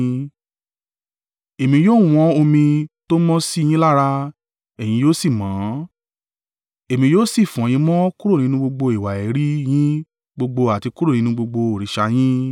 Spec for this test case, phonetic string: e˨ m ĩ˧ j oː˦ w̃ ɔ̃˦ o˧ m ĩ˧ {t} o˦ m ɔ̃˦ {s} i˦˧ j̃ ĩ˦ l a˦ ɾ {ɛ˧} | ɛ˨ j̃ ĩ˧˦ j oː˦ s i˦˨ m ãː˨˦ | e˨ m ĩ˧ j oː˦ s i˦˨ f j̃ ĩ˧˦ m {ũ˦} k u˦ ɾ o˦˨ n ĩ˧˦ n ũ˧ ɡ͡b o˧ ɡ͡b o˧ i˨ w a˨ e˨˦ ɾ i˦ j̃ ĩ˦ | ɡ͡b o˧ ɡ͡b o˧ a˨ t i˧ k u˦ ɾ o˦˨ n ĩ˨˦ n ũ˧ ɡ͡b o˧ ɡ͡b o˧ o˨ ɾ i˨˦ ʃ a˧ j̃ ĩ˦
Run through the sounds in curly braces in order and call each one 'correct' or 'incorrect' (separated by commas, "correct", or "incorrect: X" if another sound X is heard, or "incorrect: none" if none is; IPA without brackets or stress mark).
correct, correct, incorrect: a˧, incorrect: ɔ̃˦